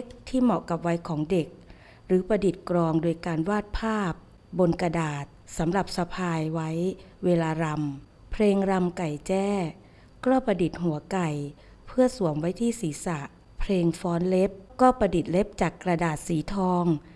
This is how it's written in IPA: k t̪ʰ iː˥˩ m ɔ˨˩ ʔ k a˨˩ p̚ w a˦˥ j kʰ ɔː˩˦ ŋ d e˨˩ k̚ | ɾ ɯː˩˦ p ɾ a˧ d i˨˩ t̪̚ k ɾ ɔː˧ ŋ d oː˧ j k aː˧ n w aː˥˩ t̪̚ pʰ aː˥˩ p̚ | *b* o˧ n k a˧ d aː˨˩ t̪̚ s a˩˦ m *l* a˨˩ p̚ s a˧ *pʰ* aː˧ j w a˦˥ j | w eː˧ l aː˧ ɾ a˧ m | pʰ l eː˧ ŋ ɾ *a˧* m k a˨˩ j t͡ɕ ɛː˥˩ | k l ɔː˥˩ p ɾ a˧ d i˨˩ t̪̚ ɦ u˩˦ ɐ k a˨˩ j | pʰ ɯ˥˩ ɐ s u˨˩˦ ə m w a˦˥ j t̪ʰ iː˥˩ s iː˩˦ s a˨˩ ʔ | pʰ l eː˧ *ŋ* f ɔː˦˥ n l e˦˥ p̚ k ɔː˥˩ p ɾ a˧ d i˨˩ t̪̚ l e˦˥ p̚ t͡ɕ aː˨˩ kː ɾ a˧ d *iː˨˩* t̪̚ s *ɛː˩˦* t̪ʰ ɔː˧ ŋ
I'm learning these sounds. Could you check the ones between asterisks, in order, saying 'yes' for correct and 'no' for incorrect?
yes, no, yes, yes, yes, no, no

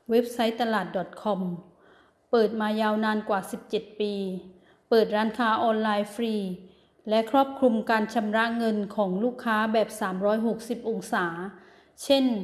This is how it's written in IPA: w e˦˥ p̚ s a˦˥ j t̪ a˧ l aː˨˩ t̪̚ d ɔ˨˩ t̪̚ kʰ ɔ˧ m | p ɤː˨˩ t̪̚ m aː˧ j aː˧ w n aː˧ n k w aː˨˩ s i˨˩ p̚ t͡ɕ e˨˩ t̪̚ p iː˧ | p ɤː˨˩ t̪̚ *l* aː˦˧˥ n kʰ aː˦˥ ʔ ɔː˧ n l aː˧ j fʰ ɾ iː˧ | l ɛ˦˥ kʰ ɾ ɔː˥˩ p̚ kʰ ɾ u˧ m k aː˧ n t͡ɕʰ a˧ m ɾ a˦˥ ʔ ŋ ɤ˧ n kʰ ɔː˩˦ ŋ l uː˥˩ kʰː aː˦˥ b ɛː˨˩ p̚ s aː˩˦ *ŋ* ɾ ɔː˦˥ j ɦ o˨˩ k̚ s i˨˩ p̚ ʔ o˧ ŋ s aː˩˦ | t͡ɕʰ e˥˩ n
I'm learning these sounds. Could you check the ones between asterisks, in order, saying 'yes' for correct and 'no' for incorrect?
no, no

